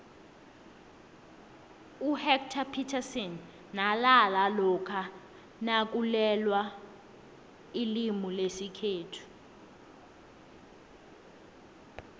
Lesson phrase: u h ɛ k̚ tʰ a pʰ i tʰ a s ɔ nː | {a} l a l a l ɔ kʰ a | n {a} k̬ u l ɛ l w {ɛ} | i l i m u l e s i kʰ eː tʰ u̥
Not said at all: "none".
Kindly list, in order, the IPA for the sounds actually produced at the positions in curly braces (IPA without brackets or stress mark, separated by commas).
a, a, a